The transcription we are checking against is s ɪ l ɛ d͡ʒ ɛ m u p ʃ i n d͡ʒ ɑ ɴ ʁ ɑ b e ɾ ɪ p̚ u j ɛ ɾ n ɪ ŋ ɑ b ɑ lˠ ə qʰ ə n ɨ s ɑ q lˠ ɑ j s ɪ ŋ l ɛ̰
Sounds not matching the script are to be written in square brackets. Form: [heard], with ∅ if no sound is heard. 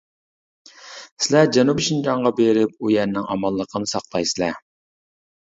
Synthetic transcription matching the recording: s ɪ l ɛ d͡ʒ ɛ [n] u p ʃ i n d͡ʒ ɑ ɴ ʁ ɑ b e ɾ ɪ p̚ u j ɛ ɾ n ɪ ŋ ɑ [m] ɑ [lˠː] ə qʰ ə n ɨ s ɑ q lˠ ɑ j s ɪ [∅] l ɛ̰